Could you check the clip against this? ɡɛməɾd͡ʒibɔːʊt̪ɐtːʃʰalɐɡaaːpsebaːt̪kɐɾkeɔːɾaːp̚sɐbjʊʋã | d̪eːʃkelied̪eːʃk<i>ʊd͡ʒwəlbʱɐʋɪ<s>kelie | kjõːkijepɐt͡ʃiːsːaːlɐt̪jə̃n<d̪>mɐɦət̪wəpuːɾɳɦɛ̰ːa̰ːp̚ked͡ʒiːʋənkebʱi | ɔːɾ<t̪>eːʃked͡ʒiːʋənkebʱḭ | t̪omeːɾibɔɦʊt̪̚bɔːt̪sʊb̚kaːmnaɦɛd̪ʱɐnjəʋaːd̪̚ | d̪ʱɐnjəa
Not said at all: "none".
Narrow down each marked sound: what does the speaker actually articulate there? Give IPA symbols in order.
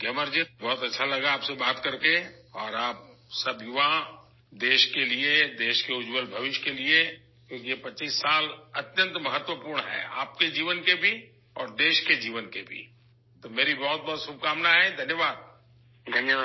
e, ʃ, t̪, d̪

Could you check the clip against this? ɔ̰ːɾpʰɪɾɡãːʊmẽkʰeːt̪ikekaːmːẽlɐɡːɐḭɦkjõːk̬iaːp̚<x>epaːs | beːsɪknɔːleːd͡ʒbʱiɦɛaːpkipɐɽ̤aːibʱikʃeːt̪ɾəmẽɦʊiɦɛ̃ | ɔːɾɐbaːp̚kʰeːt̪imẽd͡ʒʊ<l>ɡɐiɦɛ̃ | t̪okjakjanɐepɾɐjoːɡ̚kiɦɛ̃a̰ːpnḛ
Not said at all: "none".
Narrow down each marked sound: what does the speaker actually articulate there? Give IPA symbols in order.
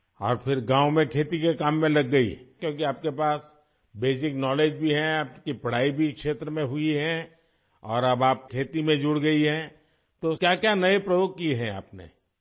k, ɽ

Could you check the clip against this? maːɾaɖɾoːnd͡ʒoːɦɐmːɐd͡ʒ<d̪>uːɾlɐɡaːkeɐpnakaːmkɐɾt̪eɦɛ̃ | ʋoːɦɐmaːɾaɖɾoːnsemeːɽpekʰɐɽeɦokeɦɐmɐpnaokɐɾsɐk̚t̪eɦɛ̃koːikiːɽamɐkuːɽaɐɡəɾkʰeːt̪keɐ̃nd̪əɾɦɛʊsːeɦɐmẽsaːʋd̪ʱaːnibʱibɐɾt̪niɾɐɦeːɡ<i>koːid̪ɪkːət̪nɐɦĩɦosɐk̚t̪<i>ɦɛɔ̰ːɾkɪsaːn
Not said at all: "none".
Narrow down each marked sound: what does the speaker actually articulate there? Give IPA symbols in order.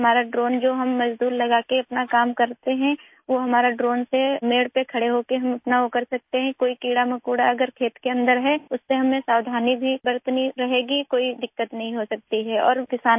d̪, i, i

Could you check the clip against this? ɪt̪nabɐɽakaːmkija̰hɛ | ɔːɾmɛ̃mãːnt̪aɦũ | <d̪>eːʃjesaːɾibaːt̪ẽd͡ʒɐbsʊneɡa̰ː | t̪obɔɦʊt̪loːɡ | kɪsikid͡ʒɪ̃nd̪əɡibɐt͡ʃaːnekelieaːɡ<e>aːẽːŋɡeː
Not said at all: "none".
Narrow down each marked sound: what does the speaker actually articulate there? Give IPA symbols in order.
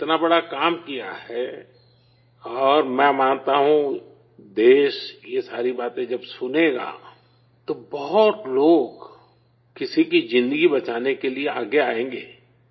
d̪, e

